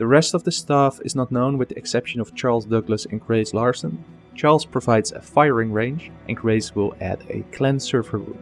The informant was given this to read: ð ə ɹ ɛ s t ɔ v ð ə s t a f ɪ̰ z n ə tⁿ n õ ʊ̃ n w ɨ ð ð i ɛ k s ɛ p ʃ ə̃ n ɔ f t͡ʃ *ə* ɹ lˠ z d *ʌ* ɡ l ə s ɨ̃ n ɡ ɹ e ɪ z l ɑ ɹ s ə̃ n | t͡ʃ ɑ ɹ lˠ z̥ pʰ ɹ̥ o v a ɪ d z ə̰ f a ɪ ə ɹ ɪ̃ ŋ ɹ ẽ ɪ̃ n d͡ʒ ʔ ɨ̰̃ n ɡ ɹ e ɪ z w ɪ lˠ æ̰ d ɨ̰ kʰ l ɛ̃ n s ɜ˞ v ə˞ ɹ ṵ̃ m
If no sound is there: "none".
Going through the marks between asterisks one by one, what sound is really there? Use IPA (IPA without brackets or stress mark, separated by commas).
ɑ, ʌ